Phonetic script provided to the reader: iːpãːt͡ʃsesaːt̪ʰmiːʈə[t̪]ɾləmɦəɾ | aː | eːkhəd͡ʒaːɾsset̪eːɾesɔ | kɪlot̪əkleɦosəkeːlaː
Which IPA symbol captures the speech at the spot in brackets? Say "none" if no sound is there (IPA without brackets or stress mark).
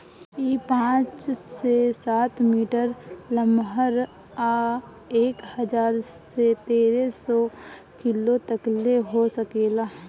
none